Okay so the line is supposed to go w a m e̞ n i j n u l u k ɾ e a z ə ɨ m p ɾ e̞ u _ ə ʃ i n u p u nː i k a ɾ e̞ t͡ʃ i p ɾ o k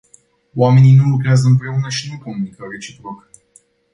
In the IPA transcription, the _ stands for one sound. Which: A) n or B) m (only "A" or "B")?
A